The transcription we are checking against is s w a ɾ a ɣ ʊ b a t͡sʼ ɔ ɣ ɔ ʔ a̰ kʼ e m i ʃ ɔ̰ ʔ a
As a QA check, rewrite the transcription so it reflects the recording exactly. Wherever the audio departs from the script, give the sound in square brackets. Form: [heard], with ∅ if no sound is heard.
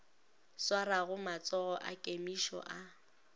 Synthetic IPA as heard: s w a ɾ a ɣ ʊ [m] a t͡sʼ ɔ ɣ ɔ ʔ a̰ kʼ e m i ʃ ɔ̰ ʔ a